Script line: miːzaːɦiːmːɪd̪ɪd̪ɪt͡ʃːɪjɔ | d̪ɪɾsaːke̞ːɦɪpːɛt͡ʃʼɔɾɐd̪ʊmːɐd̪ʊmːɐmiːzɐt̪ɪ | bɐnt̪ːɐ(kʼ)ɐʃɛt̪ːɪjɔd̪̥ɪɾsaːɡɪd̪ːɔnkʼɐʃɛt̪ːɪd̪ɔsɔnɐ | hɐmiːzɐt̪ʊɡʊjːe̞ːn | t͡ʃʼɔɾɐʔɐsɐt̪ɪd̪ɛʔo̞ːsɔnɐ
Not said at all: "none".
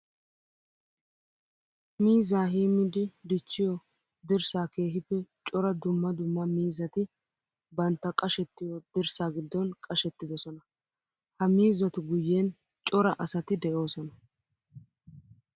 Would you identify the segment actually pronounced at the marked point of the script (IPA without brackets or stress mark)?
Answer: kʼ